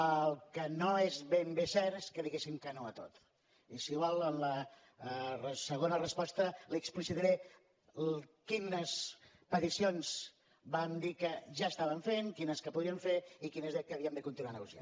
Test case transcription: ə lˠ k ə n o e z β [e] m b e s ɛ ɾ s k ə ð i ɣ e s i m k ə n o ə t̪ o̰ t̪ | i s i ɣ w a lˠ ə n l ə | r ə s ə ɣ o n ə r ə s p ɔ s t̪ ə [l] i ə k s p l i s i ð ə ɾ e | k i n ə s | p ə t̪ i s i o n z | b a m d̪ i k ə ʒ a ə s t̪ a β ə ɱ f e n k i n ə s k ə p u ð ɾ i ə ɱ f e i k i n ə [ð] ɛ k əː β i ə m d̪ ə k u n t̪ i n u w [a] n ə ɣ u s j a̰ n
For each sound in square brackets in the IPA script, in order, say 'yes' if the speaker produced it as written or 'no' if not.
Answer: yes, yes, no, yes

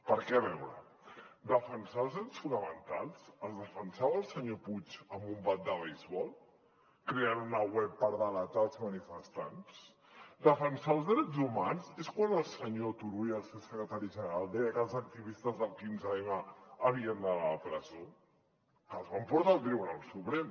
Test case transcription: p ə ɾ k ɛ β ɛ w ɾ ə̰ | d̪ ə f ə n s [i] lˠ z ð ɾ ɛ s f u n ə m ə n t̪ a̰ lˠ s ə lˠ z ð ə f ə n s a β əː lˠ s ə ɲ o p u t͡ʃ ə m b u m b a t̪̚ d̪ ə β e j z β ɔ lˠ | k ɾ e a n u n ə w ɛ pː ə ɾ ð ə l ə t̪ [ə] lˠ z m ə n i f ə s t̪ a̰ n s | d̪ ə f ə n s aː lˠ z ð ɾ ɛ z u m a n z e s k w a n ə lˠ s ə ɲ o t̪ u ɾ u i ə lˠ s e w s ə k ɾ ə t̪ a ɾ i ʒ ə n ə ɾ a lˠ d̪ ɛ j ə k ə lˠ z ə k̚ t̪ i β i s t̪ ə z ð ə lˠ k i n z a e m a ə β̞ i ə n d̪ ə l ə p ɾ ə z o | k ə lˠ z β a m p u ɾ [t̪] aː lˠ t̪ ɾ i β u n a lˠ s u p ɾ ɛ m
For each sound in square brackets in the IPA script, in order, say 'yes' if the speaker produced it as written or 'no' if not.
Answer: no, no, yes

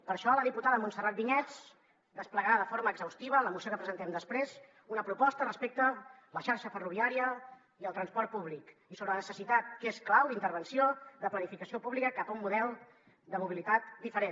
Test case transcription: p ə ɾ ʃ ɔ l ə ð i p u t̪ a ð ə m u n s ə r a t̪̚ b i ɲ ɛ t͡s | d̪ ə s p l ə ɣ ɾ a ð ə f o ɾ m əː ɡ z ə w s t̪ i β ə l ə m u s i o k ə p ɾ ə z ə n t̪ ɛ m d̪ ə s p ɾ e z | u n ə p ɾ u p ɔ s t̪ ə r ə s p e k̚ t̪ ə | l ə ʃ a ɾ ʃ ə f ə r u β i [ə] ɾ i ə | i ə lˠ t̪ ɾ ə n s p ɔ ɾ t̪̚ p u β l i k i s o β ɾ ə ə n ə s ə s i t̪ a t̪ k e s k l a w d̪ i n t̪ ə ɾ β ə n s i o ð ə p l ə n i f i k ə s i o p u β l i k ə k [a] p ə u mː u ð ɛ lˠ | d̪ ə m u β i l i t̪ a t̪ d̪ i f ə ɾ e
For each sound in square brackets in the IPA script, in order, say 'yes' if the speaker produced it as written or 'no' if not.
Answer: no, yes

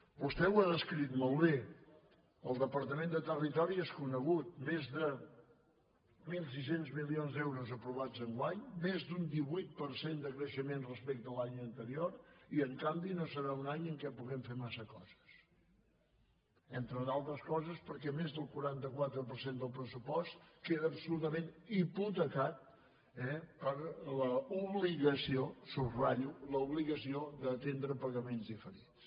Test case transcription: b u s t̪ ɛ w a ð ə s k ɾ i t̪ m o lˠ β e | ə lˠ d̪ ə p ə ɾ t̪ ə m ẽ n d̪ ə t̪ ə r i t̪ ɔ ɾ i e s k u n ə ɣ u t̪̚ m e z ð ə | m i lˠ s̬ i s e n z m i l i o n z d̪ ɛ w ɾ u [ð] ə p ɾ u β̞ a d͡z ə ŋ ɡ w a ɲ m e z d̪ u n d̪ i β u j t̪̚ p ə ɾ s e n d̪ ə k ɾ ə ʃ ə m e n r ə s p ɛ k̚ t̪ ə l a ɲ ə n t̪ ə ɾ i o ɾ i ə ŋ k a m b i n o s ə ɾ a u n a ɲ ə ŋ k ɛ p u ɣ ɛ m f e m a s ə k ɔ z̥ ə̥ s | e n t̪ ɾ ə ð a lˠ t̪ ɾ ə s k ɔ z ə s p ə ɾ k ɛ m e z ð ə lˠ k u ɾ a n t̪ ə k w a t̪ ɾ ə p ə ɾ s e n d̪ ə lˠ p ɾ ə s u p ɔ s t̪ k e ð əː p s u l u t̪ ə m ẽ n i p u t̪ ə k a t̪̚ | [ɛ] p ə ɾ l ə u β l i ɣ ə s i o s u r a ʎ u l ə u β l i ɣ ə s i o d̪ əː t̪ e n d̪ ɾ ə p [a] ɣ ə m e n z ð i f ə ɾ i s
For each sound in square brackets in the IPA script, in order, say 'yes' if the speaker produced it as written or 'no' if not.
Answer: no, yes, no

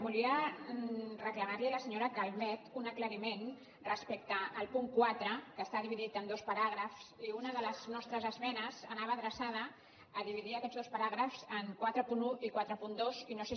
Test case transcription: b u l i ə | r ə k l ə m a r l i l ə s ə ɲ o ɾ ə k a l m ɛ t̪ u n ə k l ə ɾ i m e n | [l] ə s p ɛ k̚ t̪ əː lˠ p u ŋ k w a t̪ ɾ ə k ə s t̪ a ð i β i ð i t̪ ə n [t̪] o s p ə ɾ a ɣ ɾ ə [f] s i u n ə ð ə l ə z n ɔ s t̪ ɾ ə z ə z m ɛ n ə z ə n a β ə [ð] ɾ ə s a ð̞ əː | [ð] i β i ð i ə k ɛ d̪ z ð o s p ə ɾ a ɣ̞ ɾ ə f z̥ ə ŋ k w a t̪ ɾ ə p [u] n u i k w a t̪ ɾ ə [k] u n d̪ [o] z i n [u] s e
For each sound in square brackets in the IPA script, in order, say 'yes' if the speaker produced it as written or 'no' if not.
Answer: no, no, yes, yes, yes, yes, no, yes, no

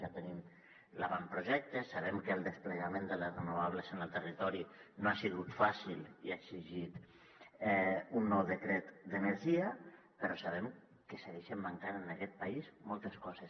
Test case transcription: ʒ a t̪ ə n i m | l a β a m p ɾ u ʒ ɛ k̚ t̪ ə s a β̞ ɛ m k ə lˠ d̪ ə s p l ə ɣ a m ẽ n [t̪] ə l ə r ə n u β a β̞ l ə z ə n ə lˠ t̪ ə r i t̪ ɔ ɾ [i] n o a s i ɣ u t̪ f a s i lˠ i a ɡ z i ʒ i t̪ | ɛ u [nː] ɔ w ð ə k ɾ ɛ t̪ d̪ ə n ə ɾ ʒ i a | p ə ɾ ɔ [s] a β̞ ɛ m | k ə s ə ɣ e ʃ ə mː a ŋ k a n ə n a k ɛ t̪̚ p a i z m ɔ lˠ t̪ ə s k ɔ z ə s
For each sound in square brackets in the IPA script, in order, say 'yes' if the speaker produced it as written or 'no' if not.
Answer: no, yes, yes, yes

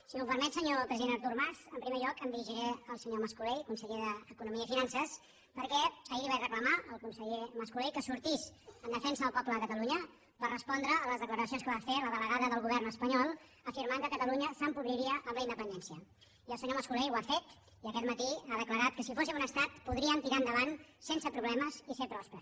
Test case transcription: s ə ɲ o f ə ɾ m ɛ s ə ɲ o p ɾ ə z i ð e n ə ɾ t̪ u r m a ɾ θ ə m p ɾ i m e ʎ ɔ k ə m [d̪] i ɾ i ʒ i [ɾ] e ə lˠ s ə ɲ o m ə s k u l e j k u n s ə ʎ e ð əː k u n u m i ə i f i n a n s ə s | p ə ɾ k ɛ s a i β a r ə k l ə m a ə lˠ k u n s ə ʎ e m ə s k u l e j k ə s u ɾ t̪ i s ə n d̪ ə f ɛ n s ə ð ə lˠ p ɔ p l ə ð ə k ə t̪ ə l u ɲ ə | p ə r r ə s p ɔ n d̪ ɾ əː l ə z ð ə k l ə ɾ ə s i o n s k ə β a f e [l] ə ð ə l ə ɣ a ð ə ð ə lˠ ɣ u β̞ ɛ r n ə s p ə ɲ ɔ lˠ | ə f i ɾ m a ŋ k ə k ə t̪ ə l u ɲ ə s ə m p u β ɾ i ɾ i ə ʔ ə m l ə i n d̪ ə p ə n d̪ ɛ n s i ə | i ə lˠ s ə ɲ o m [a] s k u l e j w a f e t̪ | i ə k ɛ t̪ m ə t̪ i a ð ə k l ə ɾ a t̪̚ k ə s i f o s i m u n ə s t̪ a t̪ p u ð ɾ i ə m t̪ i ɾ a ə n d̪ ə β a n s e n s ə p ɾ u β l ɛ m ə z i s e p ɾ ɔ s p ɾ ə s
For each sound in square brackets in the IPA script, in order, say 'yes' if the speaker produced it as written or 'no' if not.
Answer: yes, yes, yes, no

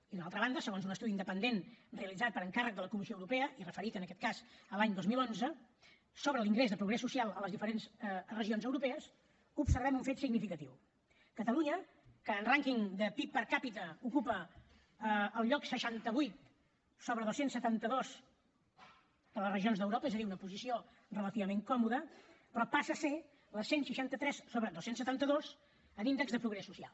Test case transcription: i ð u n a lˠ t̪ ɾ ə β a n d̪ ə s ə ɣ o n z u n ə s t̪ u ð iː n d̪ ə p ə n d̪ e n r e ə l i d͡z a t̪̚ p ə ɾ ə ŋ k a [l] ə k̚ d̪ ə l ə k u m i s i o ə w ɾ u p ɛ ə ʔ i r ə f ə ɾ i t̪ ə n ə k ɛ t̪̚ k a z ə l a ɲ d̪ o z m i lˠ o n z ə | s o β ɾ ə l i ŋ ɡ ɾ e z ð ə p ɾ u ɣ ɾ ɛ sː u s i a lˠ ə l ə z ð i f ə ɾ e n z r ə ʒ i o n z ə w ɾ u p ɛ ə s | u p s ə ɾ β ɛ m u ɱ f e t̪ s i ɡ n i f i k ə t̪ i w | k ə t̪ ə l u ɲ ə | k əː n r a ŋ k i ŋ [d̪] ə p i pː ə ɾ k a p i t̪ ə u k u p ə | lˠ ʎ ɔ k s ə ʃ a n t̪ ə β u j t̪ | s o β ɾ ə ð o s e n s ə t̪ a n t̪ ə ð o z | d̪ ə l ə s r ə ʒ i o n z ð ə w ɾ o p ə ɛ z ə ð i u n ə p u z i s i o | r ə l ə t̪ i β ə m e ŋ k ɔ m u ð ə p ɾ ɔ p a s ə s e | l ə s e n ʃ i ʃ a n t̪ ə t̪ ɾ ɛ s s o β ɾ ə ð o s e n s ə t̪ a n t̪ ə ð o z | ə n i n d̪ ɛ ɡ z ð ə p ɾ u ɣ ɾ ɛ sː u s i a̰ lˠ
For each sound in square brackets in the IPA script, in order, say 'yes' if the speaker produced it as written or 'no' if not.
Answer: no, yes

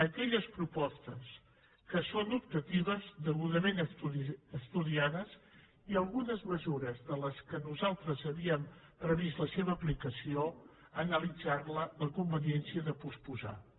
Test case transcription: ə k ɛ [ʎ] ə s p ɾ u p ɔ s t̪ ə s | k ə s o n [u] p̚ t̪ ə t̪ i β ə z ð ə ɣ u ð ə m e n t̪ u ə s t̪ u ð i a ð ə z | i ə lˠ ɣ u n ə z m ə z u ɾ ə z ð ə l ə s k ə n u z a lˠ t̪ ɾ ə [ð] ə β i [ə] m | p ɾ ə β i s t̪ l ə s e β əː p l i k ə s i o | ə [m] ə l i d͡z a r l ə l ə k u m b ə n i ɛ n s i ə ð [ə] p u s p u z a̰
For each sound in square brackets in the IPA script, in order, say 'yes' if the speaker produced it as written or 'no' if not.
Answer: yes, yes, no, yes, no, yes

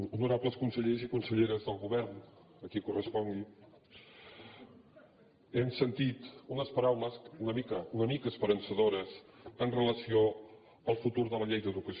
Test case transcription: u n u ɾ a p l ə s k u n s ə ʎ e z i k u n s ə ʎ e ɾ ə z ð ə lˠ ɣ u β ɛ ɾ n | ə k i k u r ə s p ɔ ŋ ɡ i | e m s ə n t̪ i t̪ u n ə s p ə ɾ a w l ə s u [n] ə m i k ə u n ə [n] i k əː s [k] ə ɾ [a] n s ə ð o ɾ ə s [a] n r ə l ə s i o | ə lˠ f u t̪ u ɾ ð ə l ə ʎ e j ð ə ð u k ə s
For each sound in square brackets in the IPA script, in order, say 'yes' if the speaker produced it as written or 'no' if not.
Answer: yes, no, no, no, no

